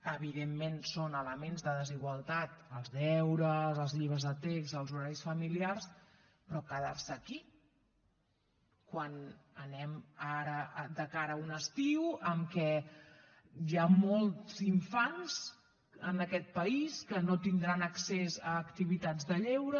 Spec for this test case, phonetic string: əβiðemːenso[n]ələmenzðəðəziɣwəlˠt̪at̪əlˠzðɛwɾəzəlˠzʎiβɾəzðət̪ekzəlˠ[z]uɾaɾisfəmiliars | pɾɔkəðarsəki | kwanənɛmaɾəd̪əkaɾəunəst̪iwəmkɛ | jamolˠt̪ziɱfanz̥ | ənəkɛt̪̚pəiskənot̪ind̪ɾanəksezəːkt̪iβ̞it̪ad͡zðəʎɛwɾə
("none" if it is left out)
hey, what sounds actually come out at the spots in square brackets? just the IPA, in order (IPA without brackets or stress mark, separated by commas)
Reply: n, z